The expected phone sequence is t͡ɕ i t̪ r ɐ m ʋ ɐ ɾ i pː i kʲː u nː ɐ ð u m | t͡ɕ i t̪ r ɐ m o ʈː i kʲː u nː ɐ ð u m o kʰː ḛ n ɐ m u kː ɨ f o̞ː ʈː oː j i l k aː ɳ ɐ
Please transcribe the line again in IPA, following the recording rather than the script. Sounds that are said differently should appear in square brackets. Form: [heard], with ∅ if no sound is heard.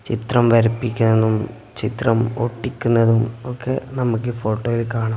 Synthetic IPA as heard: t͡ɕ i t̪ r ɐ m ʋ ɐ ɾ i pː i kʲː u nː ɐ ð u m | t͡ɕ i t̪ r ɐ m o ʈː i kʲː u nː ɐ ð u m o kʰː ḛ n ɐ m u kː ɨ f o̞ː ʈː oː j i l k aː ɳ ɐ